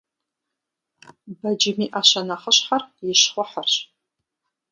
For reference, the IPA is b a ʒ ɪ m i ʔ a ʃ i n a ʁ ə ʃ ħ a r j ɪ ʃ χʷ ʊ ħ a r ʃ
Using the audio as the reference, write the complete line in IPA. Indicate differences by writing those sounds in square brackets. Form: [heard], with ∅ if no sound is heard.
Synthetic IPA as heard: b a [d͡ʒ] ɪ m i ʔ a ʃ [a] n a [χ] ə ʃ ħ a r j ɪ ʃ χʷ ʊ ħ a r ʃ